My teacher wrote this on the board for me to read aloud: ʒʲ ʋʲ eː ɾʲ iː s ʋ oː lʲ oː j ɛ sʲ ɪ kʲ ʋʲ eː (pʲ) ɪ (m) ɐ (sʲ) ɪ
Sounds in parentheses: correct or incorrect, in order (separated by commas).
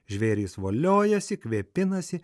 correct, incorrect, correct